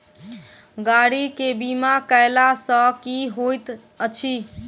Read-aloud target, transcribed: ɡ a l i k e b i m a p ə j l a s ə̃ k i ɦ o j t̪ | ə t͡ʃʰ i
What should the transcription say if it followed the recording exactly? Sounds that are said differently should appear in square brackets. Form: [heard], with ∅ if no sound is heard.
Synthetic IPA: ɡ a [ɽ] i k e b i m a [k] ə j l a s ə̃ k i ɦ o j t̪ | ə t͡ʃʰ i